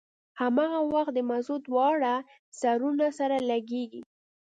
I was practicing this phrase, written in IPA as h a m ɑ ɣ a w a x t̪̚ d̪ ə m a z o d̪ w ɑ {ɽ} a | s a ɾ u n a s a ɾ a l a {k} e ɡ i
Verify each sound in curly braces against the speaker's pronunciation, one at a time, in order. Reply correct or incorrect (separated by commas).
correct, incorrect